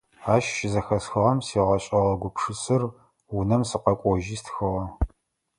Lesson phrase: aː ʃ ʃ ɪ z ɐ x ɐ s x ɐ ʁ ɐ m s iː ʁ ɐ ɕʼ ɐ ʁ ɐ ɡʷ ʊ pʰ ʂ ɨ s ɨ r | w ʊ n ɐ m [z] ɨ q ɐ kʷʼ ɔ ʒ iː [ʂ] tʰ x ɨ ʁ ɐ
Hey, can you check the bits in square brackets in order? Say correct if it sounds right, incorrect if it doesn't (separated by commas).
incorrect, incorrect